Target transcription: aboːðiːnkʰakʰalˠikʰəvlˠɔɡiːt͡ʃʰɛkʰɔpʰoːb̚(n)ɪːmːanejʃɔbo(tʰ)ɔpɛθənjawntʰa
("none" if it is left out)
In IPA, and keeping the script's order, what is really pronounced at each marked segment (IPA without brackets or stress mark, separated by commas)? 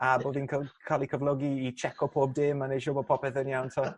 d, pʰ